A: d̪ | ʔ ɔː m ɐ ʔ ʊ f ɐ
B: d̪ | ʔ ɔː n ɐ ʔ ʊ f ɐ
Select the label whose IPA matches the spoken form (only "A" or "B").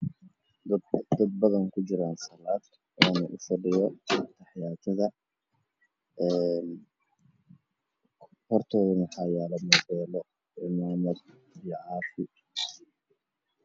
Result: B